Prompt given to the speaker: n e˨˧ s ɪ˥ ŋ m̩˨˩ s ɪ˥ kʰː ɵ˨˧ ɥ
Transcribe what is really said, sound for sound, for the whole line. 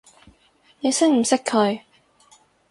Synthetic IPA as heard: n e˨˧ s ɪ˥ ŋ m̩˨˩ s ɪ˥ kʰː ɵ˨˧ ɥ